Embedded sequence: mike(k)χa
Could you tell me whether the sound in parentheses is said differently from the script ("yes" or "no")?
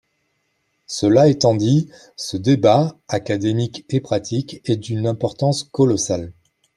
yes